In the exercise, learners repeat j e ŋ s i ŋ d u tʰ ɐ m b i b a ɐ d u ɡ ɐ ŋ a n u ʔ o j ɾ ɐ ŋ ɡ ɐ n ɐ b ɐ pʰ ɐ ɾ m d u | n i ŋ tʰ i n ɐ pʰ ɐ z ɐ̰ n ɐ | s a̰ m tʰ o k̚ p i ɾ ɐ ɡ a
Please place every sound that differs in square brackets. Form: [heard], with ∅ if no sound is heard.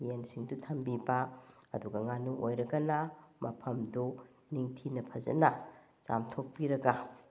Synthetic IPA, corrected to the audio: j e [n] s i ŋ d u tʰ ɐ m b i b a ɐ d u ɡ ɐ ŋ a n u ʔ o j ɾ ɐ [∅] ɡ ɐ n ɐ [m] ɐ pʰ ɐ [∅] m d u | n i ŋ tʰ i n ɐ pʰ ɐ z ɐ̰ n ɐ | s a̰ m tʰ o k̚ p i ɾ ɐ ɡ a